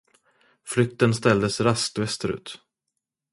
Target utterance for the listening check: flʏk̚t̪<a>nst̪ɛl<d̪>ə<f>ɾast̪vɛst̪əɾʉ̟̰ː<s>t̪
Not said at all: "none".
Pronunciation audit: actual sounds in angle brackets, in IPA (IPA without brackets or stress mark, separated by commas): ə, d̪, s, none